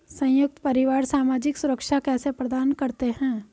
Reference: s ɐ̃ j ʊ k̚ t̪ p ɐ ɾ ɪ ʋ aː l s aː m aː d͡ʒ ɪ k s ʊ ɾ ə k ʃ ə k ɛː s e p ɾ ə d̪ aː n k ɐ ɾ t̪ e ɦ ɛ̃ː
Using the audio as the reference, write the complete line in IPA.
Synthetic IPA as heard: s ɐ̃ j ʊ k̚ t̪ p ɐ ɾ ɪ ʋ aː ɾ s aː m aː d͡ʒ ɪ k s ʊ ɾ ə k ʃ a k ɛː s e p ɾ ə d̪ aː n k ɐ ɾ t̪ e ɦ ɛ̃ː